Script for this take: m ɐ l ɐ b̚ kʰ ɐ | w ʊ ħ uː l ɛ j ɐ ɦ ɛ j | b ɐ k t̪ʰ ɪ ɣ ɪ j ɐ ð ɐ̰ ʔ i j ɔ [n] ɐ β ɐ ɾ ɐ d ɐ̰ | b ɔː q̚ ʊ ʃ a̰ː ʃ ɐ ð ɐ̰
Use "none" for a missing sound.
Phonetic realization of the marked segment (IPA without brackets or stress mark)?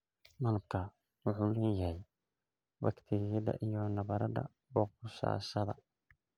n